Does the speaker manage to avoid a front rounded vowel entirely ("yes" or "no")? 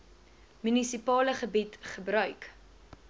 no